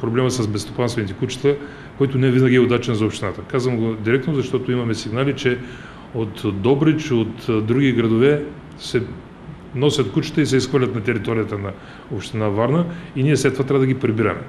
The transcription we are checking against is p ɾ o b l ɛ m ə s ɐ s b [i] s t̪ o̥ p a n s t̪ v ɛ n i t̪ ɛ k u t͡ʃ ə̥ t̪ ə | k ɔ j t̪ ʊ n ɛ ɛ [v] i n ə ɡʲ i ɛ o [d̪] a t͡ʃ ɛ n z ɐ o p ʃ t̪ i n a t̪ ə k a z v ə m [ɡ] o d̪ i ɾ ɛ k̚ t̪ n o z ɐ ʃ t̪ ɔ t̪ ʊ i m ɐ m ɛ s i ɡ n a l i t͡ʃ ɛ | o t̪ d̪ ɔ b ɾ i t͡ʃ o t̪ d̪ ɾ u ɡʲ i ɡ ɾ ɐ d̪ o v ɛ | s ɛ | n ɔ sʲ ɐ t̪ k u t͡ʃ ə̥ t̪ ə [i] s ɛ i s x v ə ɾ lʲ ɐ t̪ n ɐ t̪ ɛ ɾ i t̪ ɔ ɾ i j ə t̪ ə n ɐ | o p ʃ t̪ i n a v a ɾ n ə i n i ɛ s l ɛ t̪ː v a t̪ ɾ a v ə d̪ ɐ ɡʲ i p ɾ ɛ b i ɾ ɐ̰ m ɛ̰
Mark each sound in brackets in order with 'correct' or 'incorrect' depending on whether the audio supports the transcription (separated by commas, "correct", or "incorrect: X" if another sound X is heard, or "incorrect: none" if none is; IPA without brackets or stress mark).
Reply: incorrect: ɛ, correct, correct, correct, correct